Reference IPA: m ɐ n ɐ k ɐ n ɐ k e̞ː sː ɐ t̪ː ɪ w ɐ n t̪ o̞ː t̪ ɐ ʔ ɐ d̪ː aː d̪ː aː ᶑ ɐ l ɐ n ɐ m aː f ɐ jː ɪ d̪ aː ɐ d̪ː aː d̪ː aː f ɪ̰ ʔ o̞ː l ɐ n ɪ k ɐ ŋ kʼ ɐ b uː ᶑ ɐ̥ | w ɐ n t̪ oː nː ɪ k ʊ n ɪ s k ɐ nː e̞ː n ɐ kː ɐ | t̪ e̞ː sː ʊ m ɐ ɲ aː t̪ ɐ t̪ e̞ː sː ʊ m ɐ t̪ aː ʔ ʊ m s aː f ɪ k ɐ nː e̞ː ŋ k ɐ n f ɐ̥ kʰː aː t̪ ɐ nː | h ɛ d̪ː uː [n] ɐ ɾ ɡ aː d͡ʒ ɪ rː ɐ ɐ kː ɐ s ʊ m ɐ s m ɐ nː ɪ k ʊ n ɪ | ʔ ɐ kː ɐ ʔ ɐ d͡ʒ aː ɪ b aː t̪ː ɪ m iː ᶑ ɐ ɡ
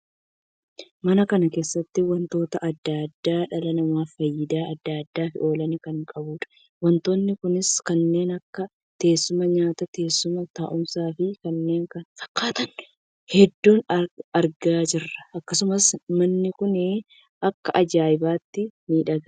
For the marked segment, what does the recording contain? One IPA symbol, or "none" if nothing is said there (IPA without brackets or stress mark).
n